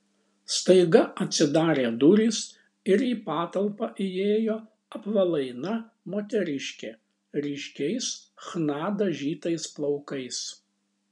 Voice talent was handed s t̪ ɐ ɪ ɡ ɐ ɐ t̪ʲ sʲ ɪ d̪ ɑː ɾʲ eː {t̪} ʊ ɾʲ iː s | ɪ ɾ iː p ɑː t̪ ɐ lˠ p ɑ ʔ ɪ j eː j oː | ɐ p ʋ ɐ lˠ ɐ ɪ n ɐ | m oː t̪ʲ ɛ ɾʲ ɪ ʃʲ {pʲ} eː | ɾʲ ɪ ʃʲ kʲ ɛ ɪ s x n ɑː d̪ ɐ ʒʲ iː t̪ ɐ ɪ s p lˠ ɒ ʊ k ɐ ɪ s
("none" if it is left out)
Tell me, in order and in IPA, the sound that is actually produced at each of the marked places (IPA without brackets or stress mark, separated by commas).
d̪, kʲ